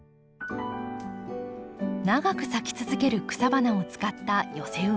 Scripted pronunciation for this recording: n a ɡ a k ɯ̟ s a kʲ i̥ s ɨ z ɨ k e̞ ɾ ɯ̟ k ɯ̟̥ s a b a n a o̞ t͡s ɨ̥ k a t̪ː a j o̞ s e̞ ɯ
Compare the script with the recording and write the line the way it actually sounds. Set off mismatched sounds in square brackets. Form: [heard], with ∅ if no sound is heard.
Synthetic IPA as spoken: n a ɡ a k ɯ̟ s a kʲ i̥ [t͡s] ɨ z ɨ k e̞ ɾ ɯ̟ k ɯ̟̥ s a b a n a o̞ t͡s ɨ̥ k a t̪ː a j o̞ s e̞ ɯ